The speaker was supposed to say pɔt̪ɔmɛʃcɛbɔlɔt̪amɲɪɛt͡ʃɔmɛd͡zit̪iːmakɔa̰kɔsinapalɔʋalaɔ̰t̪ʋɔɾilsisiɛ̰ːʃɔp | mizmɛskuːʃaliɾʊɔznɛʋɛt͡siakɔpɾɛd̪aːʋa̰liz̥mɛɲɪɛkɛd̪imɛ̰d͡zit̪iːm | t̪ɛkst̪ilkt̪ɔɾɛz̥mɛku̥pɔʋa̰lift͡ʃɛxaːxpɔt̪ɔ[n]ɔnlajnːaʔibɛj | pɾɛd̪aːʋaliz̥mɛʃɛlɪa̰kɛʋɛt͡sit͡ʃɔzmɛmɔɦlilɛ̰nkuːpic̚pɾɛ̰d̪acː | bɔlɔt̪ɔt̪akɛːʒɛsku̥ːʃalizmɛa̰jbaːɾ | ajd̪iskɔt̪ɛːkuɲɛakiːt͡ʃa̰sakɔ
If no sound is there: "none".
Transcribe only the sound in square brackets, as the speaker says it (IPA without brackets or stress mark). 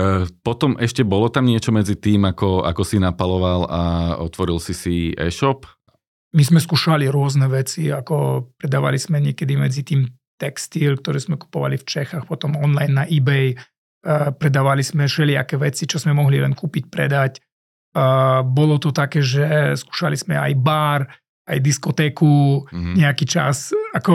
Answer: m